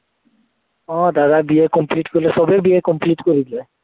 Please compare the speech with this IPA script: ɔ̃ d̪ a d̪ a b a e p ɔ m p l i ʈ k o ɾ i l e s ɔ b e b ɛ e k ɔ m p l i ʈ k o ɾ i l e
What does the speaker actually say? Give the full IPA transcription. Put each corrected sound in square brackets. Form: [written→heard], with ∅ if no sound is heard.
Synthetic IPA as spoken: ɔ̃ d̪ a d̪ a b [a→i] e [p→k] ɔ m p l i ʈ k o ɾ i l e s ɔ b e b [ɛ→i] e k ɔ m p l i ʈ k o ɾ i l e

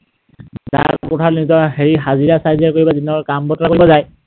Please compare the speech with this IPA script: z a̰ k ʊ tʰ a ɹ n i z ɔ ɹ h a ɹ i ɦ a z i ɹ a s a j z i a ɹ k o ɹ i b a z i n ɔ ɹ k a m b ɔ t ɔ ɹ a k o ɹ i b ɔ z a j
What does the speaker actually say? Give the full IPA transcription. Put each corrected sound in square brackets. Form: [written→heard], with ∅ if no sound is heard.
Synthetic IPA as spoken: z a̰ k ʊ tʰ a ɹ n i z ɔ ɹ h [a→e] ɹ i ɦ a z i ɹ a s a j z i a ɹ k o ɹ i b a z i n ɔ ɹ k a m b ɔ t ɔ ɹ a k o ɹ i b ɔ z a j

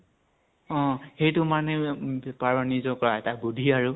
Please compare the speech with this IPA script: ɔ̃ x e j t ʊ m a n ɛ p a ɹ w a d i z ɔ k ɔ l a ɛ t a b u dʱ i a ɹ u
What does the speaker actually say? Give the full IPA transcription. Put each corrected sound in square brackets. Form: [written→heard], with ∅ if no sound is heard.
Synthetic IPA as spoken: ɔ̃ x e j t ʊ m a n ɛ p a ɹ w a [d→n] i z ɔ k ɔ [l→ɹ] a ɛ t a b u dʱ i a ɹ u

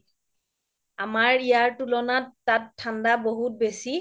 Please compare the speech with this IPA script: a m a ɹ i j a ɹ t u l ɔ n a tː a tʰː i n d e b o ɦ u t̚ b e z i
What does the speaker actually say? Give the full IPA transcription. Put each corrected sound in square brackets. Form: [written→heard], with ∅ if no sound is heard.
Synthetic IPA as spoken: a m a ɹ i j a ɹ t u l ɔ n a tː a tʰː [i→a] n d [e→a] b o ɦ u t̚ b e [z→s] i

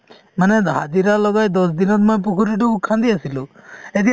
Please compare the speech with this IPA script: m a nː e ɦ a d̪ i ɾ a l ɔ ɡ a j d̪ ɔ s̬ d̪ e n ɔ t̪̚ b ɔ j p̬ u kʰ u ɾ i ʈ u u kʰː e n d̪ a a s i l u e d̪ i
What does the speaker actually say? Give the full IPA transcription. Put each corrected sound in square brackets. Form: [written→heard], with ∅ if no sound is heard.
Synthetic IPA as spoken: m a [nː→n] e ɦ a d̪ i ɾ a l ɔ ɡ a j d̪ ɔ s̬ d̪ [e→i] n ɔ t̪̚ [b→m] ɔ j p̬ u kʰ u ɾ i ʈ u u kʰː [e→a] n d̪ [a→i] a s i l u e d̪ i

